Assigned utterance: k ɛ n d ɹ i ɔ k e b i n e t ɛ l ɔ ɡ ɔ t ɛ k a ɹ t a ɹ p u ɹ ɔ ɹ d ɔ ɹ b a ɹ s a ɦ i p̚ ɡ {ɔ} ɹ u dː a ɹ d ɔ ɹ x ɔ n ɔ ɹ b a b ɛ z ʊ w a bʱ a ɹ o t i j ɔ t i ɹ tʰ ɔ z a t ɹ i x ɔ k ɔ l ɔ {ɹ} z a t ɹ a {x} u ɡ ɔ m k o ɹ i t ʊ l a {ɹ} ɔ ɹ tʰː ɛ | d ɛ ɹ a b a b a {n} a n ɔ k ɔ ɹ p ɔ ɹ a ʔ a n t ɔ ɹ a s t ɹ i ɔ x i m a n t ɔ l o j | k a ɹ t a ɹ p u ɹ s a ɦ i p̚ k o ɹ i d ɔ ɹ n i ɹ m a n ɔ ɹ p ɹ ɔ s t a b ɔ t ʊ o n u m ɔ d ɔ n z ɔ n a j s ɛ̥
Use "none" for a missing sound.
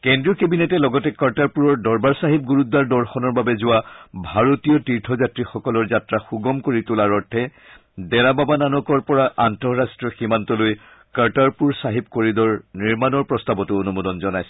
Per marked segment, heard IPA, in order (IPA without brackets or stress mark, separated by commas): u, ɹ, x, ɹ, n